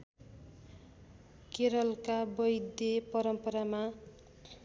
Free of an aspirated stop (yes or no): yes